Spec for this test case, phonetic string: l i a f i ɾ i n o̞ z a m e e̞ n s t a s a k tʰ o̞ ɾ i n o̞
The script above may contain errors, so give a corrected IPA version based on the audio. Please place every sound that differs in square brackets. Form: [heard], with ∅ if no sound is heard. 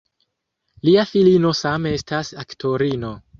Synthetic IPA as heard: l i a f i [l] i n o̞ [s] a m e e̞ [∅] s t a s a k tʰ o̞ ɾ i n o̞